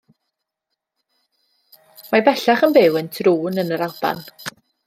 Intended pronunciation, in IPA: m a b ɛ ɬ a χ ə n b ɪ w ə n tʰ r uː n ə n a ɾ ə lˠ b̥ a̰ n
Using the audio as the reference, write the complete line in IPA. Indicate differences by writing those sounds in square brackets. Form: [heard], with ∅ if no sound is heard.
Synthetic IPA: m a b ɛ ɬ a χ ə n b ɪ w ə n tʰ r uː n ə n [ə] ɾ [a] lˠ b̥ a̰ n